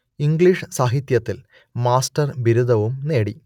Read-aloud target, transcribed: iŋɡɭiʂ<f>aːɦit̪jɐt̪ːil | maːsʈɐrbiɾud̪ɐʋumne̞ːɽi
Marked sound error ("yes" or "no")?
yes